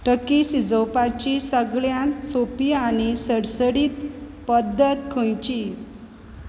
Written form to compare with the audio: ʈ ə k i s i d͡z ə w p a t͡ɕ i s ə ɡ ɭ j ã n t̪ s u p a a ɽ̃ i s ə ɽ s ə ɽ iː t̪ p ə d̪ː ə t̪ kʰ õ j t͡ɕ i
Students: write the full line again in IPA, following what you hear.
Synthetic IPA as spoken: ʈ ə k i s i d͡z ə w p a t͡ɕ i s ə ɡ ɭ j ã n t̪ s o p i a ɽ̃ i s ə ɽ s ə ɽ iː t̪ p ə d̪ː ə t̪ kʰ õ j t͡ɕ i

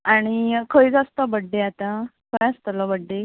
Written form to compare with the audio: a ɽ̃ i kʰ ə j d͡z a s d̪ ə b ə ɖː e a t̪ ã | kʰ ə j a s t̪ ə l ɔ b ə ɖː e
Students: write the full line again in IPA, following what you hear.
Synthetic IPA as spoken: a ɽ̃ i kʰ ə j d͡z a s t̪ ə b ə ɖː e a t̪ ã | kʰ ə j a s t̪ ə l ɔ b ə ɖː e

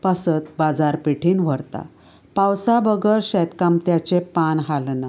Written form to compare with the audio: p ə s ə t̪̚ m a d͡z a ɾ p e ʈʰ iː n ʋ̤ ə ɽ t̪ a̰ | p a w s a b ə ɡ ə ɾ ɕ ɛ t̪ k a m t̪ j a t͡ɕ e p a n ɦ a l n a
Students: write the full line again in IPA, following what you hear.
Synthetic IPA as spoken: p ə s ə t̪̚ b a d͡z a ɾ p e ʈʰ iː n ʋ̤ ə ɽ t̪ a̰ | p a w s a b ə ɡ ə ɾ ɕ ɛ t̪ k a m t̪ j a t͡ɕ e p a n ɦ a l n a

